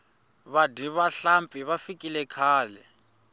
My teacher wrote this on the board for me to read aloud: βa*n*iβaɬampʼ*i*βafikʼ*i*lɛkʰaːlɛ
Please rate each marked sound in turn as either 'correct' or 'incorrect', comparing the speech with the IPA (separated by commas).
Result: incorrect, correct, correct